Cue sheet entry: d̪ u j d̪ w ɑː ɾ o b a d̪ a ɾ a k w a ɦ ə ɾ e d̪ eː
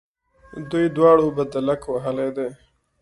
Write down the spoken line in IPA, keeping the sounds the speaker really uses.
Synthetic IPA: d̪ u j d̪ w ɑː ɽ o b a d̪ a l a k w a ɦ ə l e d̪ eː